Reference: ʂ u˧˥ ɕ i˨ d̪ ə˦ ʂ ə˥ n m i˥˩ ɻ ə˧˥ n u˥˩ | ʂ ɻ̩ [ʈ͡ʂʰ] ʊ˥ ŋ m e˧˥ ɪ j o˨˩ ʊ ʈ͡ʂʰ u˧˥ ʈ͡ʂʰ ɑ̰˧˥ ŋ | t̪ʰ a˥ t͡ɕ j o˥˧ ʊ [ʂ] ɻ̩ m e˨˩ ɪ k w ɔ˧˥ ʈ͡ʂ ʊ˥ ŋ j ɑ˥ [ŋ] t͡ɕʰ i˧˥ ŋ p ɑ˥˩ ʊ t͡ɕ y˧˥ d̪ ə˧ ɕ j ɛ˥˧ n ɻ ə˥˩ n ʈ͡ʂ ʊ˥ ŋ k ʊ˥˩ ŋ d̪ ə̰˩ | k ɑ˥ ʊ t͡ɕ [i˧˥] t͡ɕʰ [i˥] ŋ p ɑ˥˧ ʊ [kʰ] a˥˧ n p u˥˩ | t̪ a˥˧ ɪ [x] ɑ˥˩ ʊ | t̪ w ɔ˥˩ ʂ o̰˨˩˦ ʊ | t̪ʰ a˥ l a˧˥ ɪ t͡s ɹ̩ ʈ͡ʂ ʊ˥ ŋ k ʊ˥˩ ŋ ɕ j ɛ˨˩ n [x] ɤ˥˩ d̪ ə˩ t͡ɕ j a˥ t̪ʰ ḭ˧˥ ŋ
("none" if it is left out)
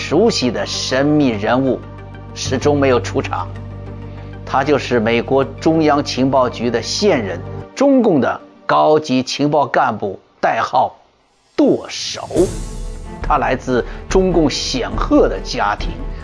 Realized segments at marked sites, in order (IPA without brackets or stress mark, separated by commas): ʈ͡ʂ, ʂ, ŋ, i˧˥, i˧˥, k, x, x